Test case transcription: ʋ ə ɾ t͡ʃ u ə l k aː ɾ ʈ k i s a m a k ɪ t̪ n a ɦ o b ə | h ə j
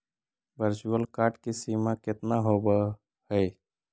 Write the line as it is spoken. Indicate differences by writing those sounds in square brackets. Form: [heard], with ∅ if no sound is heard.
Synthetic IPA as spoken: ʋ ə ɾ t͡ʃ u ə l k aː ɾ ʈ k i s [i] m a k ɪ t̪ n a ɦ o b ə | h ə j